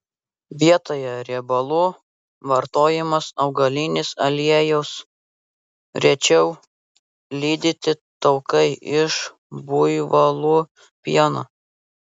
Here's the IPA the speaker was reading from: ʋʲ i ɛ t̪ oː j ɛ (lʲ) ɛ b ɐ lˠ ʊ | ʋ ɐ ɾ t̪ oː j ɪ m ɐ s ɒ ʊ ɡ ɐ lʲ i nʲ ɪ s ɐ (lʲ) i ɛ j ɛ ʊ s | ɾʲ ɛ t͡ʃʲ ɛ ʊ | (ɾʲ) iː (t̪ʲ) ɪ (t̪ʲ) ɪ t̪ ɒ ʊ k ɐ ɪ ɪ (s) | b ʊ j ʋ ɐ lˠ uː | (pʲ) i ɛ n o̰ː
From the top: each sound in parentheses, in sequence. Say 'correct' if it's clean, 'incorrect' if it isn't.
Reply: incorrect, correct, incorrect, incorrect, correct, incorrect, correct

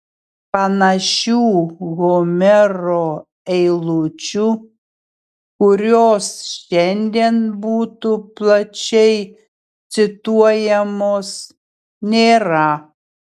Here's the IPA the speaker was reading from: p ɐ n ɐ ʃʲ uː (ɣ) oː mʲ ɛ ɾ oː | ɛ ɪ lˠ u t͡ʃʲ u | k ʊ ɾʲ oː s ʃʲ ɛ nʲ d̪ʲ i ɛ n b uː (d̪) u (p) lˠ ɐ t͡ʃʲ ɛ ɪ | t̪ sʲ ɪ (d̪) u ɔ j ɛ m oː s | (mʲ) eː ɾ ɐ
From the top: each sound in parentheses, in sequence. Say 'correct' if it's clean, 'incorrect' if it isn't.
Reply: correct, incorrect, correct, incorrect, incorrect

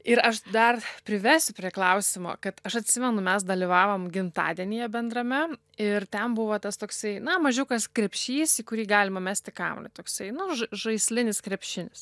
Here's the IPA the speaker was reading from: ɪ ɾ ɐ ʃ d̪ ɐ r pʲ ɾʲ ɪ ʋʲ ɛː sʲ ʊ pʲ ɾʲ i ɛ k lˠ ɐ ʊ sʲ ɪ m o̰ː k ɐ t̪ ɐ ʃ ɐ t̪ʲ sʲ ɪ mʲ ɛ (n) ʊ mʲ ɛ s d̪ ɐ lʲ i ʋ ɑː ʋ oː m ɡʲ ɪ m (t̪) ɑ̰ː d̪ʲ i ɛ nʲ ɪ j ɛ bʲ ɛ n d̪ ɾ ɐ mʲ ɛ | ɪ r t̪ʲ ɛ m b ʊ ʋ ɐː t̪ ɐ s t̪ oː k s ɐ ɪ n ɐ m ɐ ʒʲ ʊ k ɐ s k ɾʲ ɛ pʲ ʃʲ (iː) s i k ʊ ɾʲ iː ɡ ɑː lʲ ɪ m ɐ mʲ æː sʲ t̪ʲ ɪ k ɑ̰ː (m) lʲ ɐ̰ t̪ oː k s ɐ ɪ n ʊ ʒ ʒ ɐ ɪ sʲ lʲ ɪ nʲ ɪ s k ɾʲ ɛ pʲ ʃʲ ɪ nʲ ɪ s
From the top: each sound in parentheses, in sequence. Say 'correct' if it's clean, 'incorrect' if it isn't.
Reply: correct, correct, correct, correct

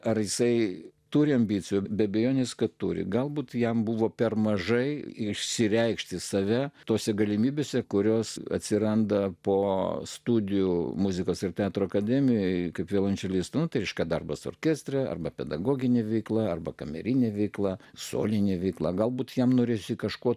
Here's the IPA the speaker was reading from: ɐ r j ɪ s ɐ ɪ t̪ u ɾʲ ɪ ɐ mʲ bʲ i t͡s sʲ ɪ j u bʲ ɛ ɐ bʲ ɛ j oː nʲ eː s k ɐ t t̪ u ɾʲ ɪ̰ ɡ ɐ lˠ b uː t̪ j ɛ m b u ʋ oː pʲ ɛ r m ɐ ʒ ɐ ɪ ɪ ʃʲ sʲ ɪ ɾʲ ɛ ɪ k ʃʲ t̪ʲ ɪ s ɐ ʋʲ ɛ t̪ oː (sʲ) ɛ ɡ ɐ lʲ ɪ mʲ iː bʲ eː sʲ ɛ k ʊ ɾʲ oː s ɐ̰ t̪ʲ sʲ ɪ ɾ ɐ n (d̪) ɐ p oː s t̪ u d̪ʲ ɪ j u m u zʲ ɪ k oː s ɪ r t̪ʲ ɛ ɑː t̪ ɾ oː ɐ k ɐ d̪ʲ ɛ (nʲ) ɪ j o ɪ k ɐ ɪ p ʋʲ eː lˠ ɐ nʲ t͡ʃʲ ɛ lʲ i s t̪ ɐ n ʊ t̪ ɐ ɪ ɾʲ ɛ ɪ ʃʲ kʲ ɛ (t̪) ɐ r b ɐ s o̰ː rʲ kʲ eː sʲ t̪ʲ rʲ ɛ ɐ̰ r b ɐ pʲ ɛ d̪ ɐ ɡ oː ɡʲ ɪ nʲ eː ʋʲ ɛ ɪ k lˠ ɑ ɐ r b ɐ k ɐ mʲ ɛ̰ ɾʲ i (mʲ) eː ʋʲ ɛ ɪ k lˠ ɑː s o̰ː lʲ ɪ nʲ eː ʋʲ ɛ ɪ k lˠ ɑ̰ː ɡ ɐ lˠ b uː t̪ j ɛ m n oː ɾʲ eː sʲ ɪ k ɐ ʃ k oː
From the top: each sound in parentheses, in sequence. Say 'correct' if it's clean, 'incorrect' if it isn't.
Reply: correct, correct, incorrect, incorrect, incorrect

